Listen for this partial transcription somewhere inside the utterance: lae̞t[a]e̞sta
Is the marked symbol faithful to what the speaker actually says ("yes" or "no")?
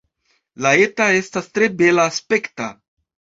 yes